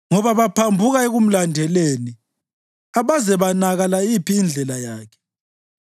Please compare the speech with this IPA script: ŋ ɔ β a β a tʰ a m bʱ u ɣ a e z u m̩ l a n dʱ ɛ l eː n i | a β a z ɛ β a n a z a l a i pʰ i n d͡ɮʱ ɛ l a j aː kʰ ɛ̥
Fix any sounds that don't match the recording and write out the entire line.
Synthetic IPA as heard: ŋ ɔ β a β a pʰ a m bʱ u ɣ a e ɣ u m̩ l a n dʱ ɛ l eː n i | a β a z ɛ β a n a ɣ a l a i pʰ iː n d͡ɮʱ ɛ l a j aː kʰ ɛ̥